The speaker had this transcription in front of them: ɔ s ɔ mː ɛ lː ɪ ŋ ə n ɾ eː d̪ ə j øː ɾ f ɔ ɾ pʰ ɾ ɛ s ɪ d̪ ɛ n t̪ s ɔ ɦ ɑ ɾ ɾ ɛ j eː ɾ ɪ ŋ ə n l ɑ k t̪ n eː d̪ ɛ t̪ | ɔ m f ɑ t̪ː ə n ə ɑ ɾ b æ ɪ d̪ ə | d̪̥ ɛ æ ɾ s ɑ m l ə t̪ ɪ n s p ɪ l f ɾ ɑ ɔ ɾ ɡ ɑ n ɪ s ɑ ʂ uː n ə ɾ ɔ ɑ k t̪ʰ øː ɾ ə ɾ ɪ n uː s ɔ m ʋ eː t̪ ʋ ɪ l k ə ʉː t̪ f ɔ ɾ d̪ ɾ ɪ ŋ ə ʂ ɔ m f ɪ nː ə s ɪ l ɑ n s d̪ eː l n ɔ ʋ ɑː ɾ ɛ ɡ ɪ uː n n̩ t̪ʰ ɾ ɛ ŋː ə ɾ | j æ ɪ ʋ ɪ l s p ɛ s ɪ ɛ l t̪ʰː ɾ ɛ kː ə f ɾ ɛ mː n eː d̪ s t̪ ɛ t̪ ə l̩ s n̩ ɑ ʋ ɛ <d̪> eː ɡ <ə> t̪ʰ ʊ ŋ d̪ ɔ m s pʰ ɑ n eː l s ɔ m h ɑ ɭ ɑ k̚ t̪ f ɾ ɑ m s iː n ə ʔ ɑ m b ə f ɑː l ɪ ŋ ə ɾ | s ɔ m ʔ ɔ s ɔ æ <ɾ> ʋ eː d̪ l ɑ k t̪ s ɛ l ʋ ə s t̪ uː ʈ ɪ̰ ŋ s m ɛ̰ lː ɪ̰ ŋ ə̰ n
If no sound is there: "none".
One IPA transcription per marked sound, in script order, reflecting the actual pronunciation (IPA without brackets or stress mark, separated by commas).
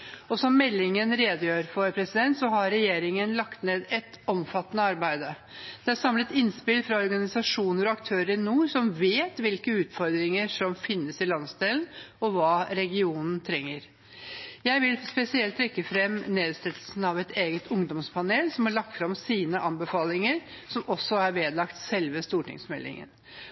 t̪, ə, ɾ